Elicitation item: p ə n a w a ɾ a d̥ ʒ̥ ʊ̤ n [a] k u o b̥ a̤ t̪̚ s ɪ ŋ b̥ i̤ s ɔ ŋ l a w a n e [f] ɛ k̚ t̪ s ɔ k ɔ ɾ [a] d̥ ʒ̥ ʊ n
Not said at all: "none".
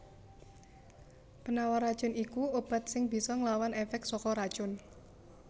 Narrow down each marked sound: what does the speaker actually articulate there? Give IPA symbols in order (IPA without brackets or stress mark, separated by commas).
i, f, a